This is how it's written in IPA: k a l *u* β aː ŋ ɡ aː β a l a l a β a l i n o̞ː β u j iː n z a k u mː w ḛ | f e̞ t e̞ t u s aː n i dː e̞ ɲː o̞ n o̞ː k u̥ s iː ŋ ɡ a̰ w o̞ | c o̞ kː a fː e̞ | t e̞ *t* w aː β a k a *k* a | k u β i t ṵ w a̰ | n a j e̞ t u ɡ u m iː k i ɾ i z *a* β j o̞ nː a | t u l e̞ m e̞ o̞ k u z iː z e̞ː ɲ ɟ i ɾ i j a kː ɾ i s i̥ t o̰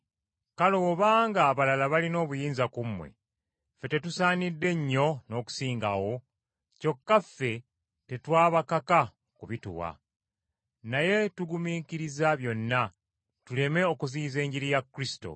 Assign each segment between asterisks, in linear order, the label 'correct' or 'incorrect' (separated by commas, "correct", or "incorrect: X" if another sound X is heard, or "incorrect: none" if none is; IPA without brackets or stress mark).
incorrect: o, correct, correct, correct